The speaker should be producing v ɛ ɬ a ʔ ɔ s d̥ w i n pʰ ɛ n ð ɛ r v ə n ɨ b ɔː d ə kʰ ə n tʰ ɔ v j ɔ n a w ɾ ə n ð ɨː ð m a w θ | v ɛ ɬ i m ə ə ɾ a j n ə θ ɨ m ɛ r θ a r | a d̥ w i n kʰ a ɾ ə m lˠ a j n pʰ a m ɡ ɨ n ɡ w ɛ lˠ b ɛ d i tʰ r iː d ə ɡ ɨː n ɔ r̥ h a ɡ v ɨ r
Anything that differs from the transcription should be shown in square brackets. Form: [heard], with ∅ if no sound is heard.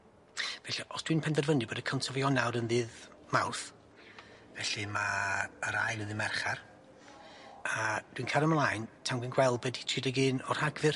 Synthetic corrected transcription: v ɛ ɬ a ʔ ɔ s d̥ w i n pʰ ɛ n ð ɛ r v ə n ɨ b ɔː d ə kʰ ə n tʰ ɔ v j ɔ n a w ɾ ə n ð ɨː ð m a w θ | v ɛ ɬ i m [a] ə ɾ a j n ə [ð] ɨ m ɛ r [χ] a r | a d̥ w i n kʰ a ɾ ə m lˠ a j n [tʰ] a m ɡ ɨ n ɡ w ɛ lˠ b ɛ d i tʰ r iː d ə ɡ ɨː n ɔ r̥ h a ɡ v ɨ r